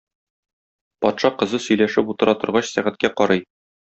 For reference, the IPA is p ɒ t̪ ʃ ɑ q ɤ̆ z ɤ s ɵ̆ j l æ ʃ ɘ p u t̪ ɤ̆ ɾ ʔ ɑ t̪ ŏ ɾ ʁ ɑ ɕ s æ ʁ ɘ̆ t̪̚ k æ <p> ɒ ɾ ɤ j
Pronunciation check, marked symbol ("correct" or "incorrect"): incorrect